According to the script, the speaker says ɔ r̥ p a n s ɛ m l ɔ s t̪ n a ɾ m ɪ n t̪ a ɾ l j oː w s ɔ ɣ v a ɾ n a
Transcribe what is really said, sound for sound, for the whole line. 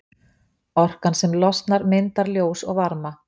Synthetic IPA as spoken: ɔ r̥ k a n s ɛ m l ɔ s t̪ n a ɾ m ɪ n t̪ a ɾ l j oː w s ɔ ɣ v a ɾ m a